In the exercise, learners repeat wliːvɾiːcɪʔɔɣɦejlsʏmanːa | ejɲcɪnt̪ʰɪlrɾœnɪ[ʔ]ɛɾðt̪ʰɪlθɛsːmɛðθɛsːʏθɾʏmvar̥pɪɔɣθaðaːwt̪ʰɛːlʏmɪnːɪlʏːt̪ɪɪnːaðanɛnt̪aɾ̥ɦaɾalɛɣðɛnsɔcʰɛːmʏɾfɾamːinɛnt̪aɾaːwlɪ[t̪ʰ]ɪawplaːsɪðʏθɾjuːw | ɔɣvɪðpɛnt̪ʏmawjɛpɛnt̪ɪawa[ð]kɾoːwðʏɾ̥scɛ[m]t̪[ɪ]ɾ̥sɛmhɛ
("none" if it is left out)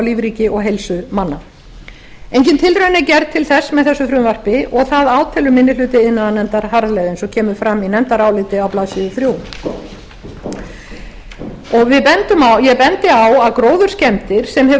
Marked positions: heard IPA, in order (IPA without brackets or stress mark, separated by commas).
c, t̪, ð, m, ɪ